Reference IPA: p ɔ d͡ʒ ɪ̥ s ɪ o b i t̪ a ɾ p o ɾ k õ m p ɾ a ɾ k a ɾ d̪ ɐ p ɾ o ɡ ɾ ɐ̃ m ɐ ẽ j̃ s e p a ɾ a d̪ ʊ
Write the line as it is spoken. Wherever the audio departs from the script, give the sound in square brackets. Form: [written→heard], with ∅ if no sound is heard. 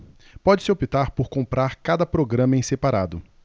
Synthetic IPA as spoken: p ɔ d͡ʒ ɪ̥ s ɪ o [b→p] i t̪ a ɾ p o ɾ k õ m p ɾ a ɾ k a [ɾ→∅] d̪ ɐ p ɾ o ɡ ɾ ɐ̃ m ɐ ẽ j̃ s e p a ɾ a d̪ ʊ